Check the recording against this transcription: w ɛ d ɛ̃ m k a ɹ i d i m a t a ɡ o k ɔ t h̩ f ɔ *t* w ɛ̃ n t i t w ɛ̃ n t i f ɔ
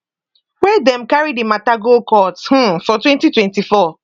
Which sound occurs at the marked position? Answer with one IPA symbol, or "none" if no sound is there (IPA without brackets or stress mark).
t